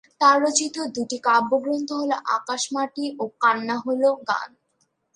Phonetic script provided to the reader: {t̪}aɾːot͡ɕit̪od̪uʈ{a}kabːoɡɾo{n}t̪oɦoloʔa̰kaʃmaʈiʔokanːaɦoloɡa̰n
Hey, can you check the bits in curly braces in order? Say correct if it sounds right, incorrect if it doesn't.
correct, incorrect: i, correct

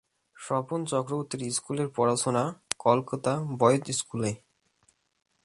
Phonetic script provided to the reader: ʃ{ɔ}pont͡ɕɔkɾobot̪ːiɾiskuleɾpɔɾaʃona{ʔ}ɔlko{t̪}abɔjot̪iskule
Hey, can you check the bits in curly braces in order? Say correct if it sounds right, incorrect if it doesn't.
correct, incorrect: k, correct

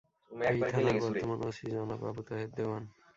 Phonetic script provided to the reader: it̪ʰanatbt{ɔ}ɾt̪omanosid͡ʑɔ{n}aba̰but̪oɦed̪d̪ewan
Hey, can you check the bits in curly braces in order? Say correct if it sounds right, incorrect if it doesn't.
correct, correct

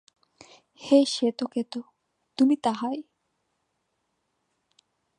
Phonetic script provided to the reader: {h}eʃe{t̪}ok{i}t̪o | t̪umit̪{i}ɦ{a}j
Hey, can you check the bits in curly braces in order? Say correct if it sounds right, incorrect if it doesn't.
correct, correct, incorrect: e, incorrect: a, correct

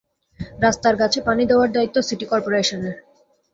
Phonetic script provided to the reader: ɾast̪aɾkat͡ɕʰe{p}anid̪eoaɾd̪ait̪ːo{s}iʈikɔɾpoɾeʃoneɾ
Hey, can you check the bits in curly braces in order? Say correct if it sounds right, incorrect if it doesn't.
correct, correct

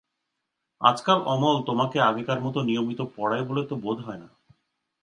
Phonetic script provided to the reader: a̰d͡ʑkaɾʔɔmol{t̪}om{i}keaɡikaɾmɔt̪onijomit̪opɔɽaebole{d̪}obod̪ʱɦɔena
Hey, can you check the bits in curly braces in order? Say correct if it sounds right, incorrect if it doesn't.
correct, incorrect: a, incorrect: t̪

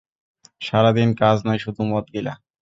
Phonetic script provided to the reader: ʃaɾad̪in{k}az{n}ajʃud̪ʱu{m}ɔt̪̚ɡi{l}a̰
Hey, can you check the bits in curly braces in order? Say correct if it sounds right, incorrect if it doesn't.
correct, correct, correct, correct

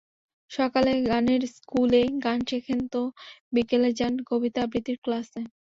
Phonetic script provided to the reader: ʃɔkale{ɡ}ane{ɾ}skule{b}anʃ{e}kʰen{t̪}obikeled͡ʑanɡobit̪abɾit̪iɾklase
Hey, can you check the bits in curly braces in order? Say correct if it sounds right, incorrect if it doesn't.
correct, correct, incorrect: ɡ, correct, correct

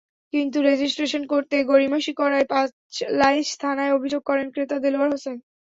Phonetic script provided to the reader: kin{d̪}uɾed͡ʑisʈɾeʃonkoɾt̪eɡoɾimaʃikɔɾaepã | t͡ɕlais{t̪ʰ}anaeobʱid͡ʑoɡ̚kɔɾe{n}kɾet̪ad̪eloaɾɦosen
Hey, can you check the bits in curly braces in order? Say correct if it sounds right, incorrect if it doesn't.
incorrect: t̪, correct, correct

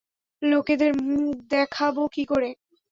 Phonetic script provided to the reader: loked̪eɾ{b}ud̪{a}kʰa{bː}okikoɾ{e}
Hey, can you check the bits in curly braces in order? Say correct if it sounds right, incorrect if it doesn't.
incorrect: m, incorrect: ɛ, incorrect: b, correct

